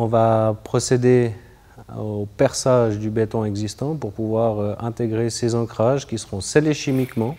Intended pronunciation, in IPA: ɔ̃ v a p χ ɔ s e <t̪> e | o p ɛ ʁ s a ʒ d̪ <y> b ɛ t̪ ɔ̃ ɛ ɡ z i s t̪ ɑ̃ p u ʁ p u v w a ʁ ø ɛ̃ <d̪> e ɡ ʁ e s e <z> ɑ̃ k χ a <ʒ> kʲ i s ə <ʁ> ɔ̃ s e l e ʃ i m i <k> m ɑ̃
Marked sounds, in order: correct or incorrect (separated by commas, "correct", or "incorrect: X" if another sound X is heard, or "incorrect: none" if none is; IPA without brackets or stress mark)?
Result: incorrect: d̪, correct, incorrect: t̪, correct, correct, correct, correct